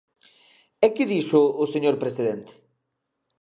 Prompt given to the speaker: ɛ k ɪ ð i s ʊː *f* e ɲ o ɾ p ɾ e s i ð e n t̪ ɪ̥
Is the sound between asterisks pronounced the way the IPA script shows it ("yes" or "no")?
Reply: no